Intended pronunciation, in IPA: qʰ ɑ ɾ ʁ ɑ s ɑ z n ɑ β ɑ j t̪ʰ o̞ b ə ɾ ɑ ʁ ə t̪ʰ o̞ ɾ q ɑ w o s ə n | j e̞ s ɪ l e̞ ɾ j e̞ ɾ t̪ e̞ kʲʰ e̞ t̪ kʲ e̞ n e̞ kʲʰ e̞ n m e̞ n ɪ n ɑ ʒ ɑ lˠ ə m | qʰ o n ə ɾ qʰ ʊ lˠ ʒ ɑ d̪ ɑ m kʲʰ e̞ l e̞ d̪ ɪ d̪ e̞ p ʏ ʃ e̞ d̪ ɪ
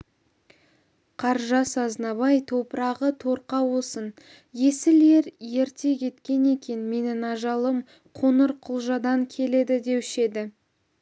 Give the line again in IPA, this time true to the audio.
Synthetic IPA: qʰ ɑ ɾ ʒ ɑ s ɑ z n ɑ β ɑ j t̪ʰ o̞ p ə ɾ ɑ ʁ ə t̪ʰ o̞ ɾ q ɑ w o s ə n | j e̞ s ɪ l e̞ ɾ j e̞ ɾ t̪ e̞ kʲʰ e̞ t̪ kʲ e̞ n e̞ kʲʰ e̞ n m e̞ n ɪ n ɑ ʒ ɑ lˠ ə m | qʰ o n ə ɾ qʰ ʊ lˠ ʒ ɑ d̪ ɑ ŋ kʲʰ e̞ l e̞ d̪ ɪ d̪ e̞ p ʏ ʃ e̞ d̪ ɪ

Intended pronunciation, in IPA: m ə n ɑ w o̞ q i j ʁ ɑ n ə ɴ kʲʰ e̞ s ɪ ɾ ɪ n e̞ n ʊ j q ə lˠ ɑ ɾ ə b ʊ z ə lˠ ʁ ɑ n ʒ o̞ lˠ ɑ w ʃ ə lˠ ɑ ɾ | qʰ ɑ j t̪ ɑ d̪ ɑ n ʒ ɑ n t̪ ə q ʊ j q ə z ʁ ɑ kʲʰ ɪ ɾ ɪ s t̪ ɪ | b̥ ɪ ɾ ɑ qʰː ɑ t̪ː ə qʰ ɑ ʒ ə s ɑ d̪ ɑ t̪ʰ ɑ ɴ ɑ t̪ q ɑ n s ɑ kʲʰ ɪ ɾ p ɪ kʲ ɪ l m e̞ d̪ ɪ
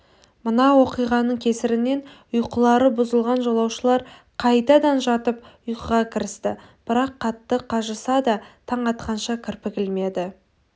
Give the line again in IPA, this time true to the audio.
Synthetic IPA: m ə n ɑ w o̞ q i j ʁ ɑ n ə ɴ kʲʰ e̞ s ɪ ɾ ɪ n e̞ n ʊ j q ə lˠ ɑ ɾ ə b ʊ z ə lˠ ʁ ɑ n ʒ o̞ lˠ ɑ w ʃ ə lˠ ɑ ɾ | qʰ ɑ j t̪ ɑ d̪ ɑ n ʒ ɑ t̪ ə p ʊ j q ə ʁ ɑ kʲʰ ɪ ɾ ɪ s t̪ ɪ | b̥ ɪ ɾ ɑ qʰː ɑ t̪ː ə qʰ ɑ ʒ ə s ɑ d̪ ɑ t̪ʰ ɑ ɴ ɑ t̪ q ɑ n ʃ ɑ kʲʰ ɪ ɾ p ɪ kʲ ɪ l m e̞ d̪ ɪ

